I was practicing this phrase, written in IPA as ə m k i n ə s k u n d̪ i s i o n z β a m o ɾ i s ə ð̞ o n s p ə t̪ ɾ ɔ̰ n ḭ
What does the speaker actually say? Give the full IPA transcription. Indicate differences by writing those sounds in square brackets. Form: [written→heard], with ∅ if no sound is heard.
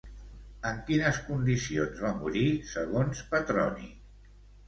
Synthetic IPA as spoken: ə [m→ŋ] k i n ə s k u n d̪ i s i o n z β a m [o→u] ɾ i s ə [ð̞→ɣ̞] o n s p ə t̪ ɾ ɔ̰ n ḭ